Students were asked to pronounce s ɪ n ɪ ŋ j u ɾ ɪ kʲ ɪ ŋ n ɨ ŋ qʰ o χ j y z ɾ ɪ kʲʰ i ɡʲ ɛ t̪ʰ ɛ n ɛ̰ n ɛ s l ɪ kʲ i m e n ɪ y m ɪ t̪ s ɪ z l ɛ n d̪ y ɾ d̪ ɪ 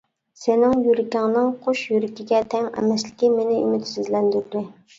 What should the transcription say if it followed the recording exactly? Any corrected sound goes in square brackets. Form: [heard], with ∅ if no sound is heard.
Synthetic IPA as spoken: s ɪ n ɪ ŋ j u ɾ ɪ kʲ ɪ ŋ n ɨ ŋ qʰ o [ʃ] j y [∅] ɾ ɪ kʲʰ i ɡʲ ɛ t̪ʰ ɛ [ŋ] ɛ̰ [m] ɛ s l ɪ kʲ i m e n ɪ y m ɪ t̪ s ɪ z l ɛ n d̪ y ɾ d̪ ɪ